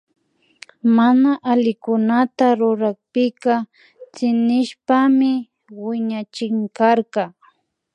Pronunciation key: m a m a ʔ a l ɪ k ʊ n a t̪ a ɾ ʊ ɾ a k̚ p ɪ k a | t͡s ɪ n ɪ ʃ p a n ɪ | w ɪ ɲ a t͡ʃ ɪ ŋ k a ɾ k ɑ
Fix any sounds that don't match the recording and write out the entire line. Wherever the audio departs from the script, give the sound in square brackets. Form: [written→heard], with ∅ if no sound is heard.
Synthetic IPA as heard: m a [m→n] a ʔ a l ɪ k ʊ n a t̪ a ɾ ʊ ɾ a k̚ p ɪ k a | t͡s ɪ n ɪ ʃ p a [n→m] ɪ | w ɪ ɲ a t͡ʃ ɪ ŋ k a ɾ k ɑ